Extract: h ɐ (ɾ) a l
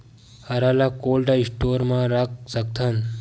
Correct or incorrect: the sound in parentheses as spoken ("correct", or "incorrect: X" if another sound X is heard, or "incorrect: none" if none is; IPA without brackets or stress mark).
correct